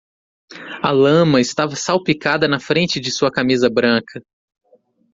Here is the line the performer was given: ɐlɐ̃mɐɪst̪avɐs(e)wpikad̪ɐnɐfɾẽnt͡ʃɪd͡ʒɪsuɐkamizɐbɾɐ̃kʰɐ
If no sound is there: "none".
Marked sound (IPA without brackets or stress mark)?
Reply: a